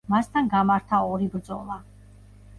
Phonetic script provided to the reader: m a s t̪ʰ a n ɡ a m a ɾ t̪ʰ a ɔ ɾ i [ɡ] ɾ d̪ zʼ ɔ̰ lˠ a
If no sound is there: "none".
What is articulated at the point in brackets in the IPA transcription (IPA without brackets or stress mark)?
b